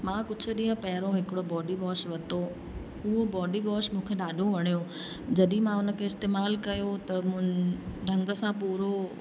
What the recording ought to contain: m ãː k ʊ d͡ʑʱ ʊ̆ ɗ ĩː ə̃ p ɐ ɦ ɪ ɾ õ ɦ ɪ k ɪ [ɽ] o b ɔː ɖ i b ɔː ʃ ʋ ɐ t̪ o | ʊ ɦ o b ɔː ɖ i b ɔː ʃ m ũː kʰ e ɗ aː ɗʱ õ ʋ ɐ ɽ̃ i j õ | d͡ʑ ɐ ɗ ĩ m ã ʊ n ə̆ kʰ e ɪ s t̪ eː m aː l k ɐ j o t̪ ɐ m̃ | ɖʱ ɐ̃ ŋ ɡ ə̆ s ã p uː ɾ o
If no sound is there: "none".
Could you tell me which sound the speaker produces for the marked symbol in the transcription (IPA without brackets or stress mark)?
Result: ɽ